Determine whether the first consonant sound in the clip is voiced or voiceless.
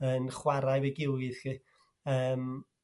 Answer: voiced